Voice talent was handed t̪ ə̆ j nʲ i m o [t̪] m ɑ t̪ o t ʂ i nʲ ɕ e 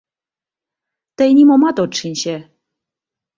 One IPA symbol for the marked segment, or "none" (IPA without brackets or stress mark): none